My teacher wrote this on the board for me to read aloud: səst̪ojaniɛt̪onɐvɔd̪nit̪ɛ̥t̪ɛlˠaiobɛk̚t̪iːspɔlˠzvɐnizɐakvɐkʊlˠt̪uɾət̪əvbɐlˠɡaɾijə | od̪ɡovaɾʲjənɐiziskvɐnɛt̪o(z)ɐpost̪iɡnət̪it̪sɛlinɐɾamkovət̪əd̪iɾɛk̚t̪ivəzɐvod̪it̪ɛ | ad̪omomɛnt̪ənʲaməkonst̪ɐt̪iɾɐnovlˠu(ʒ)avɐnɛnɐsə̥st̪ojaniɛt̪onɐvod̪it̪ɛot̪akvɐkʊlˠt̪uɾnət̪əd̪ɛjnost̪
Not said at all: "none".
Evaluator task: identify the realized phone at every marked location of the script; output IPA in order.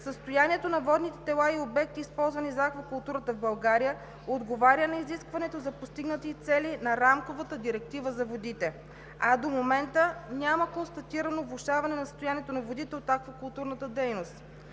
z, ʃ

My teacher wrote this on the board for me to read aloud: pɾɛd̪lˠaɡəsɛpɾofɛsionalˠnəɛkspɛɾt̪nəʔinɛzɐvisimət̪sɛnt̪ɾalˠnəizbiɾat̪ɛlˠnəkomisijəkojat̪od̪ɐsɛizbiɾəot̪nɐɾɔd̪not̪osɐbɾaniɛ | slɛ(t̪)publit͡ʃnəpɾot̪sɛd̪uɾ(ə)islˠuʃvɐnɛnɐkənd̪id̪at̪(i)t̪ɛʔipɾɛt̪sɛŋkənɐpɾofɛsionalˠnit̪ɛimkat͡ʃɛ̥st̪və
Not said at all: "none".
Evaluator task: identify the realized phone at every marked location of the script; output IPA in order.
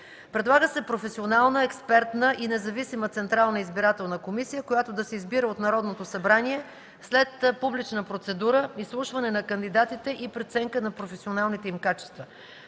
t̪, ə, i

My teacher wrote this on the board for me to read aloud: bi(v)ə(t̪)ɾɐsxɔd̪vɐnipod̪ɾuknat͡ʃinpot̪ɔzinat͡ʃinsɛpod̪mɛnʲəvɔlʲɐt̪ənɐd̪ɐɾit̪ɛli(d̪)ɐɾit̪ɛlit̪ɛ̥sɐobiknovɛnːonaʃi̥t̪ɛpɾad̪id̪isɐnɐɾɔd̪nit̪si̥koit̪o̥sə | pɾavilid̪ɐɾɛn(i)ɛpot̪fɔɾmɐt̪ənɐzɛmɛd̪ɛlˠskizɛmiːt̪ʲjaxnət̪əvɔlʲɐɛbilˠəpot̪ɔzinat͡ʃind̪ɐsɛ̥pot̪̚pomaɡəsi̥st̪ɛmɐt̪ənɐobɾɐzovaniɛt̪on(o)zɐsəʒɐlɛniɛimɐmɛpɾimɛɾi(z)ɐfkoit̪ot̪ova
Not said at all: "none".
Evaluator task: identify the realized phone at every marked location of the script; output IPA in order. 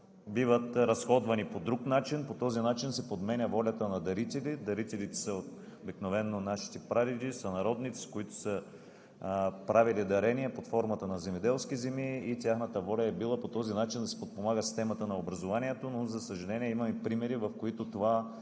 v, t̪, d̪, i, o, v

